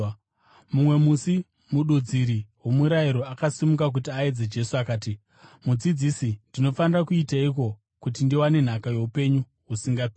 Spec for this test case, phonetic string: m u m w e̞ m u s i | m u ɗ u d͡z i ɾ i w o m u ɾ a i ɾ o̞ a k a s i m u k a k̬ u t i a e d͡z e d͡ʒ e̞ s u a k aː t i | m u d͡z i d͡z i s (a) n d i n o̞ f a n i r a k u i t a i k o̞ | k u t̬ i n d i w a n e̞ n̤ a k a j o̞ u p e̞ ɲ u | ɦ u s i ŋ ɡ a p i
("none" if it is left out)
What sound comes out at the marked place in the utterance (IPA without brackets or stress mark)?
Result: i